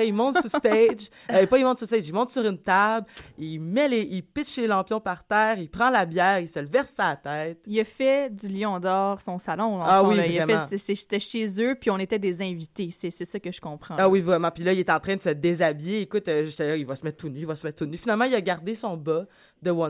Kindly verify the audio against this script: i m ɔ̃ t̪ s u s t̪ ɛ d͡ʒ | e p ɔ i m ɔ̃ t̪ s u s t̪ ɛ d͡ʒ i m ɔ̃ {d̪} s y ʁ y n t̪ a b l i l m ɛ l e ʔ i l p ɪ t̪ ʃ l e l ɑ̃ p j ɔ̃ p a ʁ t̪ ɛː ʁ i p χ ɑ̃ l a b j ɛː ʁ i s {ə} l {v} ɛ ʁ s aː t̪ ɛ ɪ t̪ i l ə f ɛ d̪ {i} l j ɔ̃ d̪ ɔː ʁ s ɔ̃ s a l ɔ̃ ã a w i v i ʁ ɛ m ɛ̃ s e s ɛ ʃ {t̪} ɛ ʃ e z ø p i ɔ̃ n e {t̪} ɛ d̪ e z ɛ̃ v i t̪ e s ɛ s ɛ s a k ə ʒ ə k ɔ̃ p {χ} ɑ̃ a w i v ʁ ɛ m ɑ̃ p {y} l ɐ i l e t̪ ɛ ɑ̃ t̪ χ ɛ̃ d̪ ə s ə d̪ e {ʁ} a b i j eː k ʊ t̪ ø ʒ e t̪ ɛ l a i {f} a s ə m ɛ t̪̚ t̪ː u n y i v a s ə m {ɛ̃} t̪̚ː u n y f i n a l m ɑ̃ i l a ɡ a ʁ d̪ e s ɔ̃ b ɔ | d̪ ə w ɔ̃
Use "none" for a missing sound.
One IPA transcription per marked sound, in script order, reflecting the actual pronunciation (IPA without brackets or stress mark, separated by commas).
t̪, ə, v, y, t̪, t̪, χ, i, z, v, ɛ